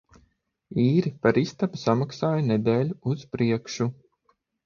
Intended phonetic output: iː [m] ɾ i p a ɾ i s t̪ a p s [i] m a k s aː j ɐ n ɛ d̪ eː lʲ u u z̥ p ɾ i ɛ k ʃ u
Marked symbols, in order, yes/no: no, no

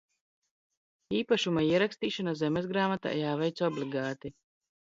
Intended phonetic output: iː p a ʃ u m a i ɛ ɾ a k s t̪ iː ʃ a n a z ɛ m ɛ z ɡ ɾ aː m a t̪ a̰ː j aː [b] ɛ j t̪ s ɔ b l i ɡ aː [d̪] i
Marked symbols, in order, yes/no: no, no

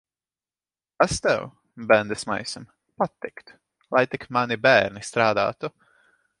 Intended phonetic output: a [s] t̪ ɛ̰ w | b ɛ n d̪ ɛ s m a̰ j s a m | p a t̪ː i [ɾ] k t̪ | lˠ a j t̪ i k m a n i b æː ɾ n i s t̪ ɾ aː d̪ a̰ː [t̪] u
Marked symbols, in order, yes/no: yes, no, yes

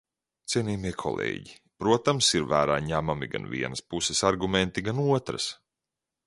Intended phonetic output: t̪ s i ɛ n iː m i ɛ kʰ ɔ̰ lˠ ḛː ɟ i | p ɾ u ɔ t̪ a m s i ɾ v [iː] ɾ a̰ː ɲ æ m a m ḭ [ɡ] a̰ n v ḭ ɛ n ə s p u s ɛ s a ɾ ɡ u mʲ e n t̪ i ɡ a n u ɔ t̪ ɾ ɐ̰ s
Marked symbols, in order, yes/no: no, yes

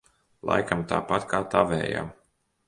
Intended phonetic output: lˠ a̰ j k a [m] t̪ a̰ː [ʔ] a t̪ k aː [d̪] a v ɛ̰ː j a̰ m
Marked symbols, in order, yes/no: yes, no, no

